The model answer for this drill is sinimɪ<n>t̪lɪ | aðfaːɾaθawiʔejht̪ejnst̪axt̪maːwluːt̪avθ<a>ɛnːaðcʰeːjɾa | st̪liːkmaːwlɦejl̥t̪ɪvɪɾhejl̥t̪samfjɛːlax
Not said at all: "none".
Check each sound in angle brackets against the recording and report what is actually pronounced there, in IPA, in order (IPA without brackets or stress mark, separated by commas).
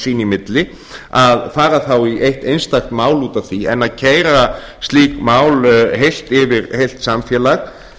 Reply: none, i